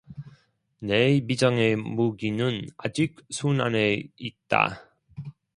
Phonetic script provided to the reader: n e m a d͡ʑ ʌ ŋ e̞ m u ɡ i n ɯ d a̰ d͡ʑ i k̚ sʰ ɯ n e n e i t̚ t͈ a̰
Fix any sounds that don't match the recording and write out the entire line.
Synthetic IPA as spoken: n e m i d͡ʑ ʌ ŋ e̞ m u ɡ i n ɯ n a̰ d͡ʑ i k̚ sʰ u n a n e i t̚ t͈ a̰